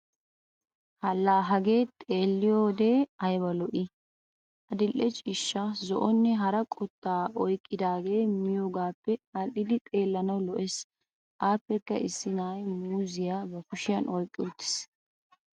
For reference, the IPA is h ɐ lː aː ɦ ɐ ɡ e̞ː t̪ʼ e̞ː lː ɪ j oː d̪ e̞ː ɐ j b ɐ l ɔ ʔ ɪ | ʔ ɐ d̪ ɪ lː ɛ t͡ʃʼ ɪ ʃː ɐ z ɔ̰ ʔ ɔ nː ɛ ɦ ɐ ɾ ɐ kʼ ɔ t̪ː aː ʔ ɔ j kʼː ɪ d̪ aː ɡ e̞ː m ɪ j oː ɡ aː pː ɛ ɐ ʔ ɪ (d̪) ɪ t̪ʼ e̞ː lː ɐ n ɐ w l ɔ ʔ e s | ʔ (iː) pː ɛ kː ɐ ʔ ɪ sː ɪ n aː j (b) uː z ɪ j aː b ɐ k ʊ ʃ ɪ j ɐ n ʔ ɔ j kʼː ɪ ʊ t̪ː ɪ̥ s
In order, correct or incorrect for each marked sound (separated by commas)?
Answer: correct, incorrect, incorrect